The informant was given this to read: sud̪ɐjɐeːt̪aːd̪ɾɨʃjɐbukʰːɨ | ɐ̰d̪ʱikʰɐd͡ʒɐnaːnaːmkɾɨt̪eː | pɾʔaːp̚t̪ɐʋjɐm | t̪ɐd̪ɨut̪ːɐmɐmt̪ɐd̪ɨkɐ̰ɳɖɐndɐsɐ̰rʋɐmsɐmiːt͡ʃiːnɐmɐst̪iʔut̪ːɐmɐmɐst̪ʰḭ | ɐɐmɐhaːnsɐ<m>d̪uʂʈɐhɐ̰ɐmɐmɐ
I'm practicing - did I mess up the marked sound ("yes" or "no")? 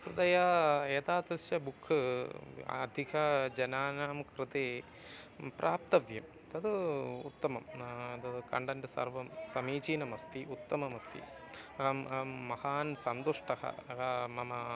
yes